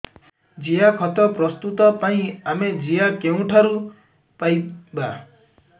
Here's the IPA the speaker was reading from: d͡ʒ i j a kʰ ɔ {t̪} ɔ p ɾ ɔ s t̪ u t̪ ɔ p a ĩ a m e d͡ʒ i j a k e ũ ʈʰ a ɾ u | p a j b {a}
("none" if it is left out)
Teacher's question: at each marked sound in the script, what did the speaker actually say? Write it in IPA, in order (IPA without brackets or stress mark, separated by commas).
t̪, a